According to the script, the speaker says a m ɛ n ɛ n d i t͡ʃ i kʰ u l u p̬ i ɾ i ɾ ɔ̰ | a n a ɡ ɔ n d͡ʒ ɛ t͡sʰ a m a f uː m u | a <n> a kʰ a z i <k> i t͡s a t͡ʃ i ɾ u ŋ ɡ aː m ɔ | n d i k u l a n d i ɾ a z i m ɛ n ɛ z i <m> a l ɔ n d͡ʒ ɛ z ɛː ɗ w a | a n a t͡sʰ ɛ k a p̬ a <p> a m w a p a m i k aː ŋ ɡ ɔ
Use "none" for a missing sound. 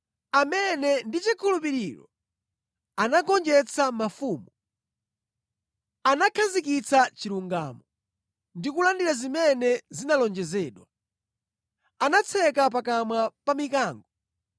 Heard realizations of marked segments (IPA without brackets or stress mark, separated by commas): n, k, n, k